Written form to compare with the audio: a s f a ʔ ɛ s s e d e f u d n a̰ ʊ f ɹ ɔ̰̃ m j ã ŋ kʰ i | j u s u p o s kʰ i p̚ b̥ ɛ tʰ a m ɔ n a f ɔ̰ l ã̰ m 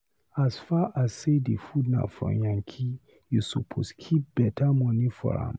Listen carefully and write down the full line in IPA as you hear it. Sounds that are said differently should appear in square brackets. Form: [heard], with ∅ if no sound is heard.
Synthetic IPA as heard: a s f a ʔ [a] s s e d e f u d n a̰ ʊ f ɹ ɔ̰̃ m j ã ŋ kʰ i | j u s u [pʰ] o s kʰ i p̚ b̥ ɛ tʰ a m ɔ n [i] f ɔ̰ [ɹ] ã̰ m